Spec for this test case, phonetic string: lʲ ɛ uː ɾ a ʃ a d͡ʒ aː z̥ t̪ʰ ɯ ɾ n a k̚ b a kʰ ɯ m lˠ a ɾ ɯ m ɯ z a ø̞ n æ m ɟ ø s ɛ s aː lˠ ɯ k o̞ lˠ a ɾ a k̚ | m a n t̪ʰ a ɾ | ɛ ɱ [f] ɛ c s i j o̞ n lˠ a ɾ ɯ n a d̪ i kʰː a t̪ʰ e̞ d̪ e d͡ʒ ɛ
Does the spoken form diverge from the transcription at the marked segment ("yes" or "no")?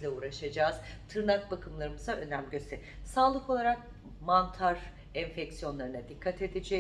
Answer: no